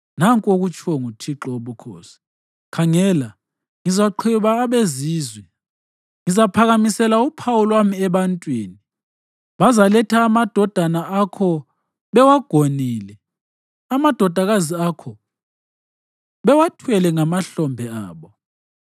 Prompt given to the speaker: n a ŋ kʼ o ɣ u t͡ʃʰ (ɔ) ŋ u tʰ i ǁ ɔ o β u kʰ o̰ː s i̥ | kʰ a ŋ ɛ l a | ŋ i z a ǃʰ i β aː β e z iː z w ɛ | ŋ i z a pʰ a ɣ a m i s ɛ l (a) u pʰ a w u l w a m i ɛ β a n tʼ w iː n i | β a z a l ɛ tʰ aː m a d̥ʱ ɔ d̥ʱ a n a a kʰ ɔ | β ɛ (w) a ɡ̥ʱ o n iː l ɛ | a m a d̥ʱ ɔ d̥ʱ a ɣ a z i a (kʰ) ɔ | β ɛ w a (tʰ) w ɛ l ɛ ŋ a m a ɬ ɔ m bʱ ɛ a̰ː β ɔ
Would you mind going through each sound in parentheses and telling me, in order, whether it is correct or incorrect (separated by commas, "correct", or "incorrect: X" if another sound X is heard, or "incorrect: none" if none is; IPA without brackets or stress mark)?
correct, correct, correct, correct, correct